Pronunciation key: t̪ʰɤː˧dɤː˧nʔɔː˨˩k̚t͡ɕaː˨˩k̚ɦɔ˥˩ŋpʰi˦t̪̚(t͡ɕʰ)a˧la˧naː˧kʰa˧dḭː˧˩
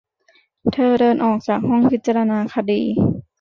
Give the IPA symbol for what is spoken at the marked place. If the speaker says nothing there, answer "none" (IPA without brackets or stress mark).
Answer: t͡ɕ